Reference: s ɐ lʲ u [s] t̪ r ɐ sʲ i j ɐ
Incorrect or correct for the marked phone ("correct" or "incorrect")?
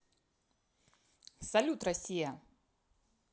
incorrect